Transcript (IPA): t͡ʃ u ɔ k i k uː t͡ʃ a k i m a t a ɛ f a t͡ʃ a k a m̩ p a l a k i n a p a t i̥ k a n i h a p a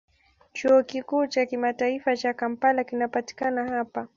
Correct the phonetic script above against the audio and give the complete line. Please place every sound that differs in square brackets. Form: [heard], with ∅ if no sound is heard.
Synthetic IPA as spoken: t͡ʃ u ɔ k i k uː t͡ʃ a k i m a t a [i] f a t͡ʃ a k a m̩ p a l a k i n a p a t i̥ k a n [a] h a p a